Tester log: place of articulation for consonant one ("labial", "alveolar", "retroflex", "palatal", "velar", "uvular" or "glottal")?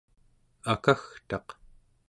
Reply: velar